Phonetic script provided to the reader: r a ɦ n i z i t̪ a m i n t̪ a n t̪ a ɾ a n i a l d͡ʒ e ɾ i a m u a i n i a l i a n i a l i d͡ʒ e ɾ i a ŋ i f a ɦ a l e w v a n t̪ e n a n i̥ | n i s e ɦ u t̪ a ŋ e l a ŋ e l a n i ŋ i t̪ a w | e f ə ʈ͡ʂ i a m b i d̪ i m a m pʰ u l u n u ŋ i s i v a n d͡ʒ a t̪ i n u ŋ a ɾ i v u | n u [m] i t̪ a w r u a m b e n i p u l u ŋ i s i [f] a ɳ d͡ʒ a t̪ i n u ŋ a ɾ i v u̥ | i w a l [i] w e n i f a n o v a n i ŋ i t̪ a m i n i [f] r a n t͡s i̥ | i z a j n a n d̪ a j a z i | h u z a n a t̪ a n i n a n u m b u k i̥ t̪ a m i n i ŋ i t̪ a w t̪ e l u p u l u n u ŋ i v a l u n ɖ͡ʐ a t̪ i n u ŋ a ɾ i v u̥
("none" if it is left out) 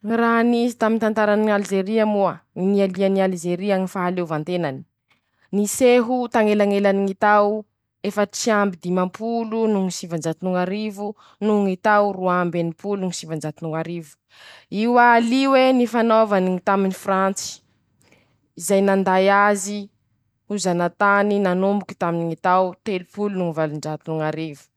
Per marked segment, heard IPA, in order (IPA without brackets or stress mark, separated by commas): ŋ, v, i, f